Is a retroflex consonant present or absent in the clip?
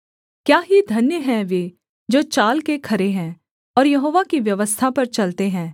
absent